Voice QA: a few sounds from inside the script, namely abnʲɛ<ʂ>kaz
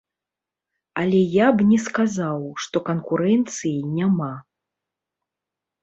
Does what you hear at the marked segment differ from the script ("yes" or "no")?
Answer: yes